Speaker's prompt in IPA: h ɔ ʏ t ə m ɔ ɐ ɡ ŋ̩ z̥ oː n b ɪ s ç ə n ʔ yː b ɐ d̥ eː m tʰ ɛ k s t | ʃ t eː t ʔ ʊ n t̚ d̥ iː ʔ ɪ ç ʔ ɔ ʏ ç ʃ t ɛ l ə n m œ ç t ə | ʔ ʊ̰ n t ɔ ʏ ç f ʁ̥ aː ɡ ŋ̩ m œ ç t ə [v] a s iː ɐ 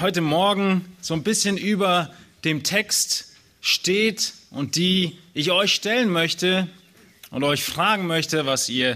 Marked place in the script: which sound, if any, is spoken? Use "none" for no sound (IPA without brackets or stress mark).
v